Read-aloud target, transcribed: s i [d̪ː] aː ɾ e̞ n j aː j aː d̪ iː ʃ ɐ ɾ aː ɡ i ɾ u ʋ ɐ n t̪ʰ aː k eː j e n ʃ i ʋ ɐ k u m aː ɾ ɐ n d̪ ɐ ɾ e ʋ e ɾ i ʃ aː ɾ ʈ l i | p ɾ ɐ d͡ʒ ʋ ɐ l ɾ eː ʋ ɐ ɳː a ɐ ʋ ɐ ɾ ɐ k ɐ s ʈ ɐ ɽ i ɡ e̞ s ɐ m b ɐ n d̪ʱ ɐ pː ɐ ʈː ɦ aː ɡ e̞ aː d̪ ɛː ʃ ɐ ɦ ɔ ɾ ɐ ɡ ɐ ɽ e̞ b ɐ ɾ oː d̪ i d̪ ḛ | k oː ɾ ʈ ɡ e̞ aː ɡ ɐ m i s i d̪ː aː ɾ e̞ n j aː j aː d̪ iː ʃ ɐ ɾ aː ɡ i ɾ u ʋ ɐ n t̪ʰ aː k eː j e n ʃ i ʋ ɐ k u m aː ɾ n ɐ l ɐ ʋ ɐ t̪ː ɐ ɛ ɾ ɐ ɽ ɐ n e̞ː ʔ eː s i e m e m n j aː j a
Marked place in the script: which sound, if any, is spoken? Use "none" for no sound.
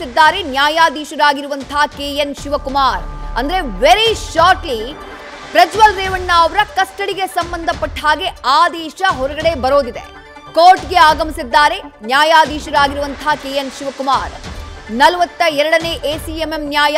d̪ː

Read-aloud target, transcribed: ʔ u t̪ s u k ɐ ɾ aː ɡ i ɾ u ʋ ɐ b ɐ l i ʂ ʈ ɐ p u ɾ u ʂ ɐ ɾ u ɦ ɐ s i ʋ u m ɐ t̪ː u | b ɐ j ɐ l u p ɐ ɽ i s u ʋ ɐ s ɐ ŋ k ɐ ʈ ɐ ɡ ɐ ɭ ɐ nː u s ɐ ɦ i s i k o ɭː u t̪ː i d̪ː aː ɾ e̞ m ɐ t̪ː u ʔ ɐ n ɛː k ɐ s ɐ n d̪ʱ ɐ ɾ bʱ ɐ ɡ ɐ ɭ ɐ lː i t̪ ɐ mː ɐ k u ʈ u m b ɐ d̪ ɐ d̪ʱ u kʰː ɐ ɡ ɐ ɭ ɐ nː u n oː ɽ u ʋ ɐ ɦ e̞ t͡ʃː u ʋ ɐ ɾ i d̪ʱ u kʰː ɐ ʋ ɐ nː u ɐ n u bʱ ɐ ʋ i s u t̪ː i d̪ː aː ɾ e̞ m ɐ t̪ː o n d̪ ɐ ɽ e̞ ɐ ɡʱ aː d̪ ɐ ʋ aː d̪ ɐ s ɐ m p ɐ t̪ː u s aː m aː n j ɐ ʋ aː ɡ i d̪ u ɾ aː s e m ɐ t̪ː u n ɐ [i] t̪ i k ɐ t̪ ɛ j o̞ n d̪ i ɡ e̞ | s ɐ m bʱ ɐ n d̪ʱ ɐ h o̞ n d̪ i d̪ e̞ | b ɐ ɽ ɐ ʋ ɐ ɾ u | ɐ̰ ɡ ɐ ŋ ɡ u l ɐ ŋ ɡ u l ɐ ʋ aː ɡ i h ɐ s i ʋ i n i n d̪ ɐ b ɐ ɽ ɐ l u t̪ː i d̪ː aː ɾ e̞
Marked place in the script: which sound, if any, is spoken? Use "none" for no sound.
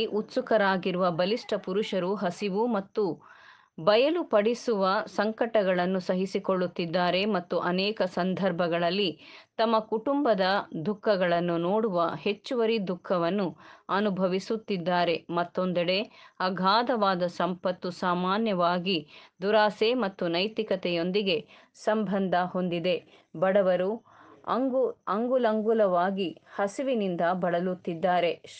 j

